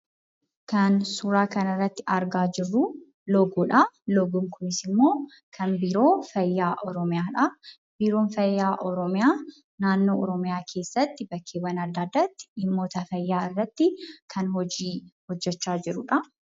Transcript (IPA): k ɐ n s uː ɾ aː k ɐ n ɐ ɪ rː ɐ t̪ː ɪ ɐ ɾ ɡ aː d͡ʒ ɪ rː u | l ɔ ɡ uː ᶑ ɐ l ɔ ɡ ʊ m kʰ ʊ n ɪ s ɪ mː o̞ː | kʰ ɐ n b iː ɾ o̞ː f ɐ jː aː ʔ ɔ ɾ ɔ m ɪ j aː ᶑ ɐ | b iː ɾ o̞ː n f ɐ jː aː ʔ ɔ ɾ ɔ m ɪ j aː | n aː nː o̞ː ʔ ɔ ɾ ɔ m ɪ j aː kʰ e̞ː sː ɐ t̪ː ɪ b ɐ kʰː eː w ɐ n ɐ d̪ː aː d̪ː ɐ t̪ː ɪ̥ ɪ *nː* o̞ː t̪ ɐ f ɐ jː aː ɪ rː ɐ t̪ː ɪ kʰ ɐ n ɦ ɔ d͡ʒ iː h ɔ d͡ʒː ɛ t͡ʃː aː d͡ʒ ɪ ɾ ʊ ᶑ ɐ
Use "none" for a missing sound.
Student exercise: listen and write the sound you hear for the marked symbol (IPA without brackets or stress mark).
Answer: mː